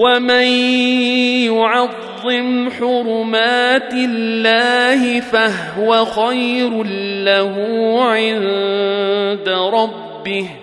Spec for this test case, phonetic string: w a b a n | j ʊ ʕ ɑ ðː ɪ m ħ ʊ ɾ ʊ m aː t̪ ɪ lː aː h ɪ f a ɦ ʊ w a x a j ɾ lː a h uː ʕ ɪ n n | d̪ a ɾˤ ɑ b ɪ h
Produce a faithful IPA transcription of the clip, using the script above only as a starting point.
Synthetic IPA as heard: w a m a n | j ʊ ʕ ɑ ðː ɪ m ħ ʊ ɾ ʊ m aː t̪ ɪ lː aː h ɪ f a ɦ ʊ w a x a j ɾ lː a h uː ʕ ɪ n n | d̪ a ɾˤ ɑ bː ɪ h